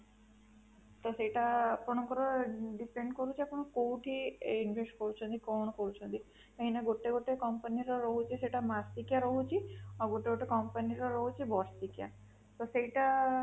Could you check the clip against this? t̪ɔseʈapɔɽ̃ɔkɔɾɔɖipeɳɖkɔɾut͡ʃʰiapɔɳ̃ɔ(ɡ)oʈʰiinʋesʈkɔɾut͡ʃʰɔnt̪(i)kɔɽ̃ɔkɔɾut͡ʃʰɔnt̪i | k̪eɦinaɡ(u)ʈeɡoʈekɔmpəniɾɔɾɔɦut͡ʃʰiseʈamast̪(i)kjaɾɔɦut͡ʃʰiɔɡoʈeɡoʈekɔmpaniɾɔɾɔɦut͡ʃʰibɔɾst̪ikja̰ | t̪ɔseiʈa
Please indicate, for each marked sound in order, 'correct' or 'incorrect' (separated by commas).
incorrect, correct, incorrect, correct